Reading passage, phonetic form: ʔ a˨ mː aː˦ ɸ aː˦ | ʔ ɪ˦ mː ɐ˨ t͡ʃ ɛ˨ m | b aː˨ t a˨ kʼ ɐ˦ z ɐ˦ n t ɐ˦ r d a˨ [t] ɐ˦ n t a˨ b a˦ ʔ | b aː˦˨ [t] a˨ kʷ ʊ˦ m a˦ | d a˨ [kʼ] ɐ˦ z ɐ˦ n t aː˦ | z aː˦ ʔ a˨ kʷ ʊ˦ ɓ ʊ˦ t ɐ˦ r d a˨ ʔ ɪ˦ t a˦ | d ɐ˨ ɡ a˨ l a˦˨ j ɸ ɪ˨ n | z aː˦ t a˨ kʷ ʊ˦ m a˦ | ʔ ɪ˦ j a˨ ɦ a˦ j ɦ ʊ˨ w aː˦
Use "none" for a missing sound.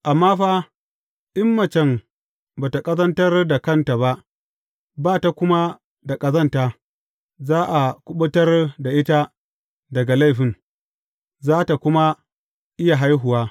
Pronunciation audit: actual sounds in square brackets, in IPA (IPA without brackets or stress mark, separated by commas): k, t, kʼ